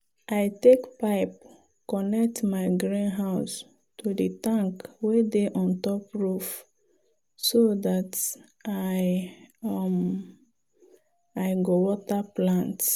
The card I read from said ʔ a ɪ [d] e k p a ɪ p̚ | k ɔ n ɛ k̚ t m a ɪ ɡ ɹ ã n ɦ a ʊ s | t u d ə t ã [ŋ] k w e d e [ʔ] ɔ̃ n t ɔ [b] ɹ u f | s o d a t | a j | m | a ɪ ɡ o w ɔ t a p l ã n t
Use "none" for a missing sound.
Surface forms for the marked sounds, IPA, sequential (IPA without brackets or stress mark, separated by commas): t, ŋ, ʔ, p